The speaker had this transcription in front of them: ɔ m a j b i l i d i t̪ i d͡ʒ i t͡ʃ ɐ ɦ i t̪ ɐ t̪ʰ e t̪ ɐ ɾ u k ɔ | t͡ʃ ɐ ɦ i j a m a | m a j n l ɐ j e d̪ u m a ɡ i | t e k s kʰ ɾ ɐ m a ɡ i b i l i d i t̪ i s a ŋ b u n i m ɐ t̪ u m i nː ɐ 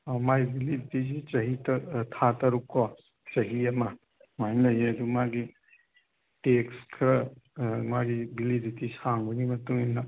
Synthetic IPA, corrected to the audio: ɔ m a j b i l i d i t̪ i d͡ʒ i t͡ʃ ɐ ɦ i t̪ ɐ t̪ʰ a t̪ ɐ ɾ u k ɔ | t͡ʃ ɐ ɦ i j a m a | m a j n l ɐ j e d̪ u m a ɡ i | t e k s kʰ ɾ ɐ m a ɡ i b i l i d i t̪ i s a ŋ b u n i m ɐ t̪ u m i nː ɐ